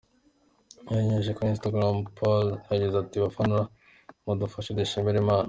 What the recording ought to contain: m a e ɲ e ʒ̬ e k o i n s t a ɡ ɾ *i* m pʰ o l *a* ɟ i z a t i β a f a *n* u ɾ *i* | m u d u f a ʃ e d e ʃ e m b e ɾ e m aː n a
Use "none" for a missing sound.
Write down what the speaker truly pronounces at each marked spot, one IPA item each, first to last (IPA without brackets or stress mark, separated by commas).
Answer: a, a, n, a